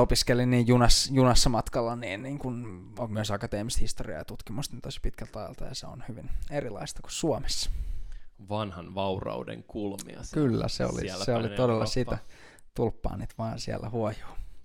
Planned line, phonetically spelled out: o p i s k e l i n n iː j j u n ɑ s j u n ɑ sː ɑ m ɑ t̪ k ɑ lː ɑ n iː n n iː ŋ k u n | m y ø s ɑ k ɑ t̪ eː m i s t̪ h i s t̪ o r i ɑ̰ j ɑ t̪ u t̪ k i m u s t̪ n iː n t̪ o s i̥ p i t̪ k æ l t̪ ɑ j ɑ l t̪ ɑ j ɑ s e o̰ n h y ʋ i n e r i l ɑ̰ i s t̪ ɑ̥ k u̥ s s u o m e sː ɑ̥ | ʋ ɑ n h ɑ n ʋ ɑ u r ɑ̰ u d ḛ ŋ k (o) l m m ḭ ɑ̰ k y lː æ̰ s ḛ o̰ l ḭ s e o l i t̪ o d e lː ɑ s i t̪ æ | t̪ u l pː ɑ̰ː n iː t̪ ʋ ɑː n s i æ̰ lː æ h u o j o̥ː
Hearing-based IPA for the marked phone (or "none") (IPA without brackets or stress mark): u